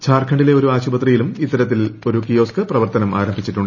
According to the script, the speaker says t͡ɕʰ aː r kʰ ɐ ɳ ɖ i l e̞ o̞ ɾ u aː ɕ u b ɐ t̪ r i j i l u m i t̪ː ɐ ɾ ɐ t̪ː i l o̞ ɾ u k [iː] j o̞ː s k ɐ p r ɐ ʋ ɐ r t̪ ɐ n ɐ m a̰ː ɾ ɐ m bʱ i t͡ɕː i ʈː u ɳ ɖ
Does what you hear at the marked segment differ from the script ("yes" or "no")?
yes